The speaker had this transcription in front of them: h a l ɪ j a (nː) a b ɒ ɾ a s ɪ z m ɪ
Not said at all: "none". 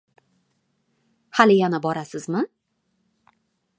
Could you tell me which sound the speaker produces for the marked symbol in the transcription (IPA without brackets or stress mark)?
n